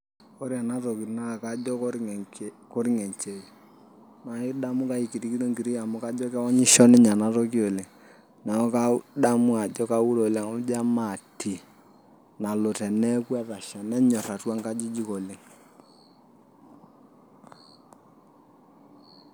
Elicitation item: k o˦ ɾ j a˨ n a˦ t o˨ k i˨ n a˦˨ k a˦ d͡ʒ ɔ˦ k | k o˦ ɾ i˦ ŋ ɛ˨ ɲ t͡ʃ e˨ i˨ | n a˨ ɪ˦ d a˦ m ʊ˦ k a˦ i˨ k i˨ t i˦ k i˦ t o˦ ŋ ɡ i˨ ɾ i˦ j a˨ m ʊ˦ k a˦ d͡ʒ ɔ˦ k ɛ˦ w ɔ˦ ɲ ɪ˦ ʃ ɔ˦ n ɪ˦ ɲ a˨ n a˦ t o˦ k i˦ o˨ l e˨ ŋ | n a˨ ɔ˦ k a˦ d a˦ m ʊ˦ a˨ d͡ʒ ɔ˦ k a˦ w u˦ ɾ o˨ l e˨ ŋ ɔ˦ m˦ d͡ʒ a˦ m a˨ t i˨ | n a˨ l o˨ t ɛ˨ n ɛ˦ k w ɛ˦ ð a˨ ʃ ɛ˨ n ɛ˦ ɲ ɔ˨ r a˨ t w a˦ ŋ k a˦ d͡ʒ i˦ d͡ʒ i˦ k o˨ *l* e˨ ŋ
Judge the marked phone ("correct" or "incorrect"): correct